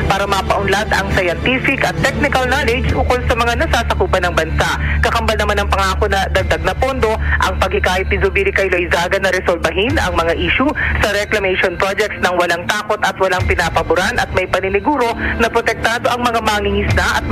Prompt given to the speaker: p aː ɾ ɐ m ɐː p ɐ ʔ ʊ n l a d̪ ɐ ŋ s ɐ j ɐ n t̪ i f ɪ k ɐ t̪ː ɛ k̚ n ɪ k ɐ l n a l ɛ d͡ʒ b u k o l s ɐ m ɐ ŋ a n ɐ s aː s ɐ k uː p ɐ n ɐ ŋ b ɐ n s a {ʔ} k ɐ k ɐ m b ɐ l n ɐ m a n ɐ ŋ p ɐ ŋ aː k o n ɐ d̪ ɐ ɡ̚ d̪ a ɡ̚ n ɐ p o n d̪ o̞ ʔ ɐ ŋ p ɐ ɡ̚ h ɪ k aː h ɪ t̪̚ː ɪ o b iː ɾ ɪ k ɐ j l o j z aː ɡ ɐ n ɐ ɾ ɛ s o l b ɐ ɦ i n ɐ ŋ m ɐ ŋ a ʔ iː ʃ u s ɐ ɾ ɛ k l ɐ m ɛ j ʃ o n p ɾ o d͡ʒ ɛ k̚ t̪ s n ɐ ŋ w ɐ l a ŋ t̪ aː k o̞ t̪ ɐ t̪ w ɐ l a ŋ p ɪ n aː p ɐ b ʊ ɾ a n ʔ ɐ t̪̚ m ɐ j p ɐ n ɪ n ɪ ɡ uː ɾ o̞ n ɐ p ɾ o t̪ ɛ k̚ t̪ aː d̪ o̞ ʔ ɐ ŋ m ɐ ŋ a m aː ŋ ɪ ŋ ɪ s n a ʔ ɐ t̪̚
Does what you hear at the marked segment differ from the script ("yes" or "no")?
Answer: no